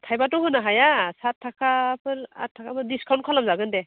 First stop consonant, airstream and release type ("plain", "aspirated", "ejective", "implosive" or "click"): aspirated